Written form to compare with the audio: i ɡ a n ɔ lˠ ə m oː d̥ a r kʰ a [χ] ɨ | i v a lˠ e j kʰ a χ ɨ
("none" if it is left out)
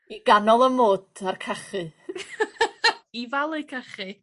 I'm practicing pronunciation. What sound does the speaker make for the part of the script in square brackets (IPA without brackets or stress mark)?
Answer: χ